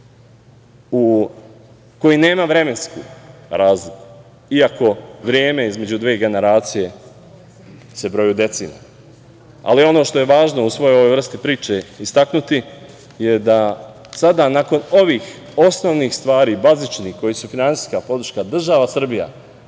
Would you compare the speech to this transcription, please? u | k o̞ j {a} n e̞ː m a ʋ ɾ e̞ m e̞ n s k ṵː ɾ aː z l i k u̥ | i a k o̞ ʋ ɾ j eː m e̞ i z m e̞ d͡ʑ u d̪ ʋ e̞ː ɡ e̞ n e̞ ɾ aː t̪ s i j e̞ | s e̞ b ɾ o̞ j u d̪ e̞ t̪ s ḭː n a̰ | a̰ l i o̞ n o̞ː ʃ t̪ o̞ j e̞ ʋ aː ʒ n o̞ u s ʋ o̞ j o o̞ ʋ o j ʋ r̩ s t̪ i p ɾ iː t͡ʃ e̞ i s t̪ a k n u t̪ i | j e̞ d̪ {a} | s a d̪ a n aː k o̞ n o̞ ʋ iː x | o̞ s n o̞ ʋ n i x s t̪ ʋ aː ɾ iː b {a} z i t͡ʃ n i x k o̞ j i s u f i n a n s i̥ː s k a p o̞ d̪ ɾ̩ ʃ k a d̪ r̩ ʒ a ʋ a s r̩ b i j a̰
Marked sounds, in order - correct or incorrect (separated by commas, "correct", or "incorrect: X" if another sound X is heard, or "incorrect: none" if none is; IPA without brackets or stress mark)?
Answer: incorrect: i, correct, correct